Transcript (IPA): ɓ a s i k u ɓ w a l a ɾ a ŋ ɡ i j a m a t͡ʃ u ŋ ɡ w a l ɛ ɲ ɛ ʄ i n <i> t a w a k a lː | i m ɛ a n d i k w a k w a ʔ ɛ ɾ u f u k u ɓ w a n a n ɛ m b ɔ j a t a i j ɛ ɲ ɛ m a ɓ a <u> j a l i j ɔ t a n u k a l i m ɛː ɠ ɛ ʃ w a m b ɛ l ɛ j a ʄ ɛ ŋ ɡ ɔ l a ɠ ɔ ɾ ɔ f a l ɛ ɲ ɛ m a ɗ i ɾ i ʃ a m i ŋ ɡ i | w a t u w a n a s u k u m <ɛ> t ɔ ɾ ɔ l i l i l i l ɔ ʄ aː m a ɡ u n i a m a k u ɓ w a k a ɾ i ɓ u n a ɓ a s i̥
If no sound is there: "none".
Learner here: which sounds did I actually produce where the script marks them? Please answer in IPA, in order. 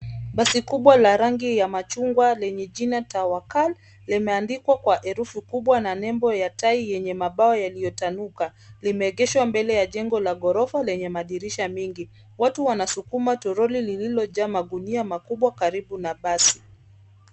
a, ɔ, a

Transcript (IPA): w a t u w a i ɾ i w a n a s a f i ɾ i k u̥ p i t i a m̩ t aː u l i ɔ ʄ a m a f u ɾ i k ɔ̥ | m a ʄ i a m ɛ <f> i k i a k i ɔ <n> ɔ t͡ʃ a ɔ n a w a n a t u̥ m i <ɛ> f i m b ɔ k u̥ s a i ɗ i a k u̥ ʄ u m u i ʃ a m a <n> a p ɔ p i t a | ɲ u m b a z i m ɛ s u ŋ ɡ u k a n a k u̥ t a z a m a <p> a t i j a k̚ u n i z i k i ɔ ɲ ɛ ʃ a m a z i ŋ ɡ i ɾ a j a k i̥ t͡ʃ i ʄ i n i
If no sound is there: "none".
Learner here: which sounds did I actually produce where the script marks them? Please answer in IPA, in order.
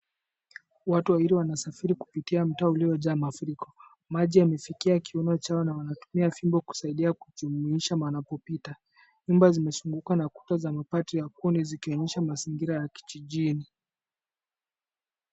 f, n, a, n, p

